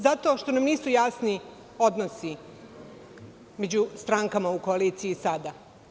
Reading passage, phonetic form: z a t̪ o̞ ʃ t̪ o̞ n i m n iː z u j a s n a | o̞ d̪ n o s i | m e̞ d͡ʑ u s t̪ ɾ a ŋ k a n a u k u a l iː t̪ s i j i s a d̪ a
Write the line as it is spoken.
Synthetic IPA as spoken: z a t̪ o̞ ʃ t̪ o̞ n a m n iː s u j a s n i | o̞ d̪ n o s i | m e̞ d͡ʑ u s t̪ ɾ a ŋ k a m a u k o a l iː t̪ s i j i s a d̪ a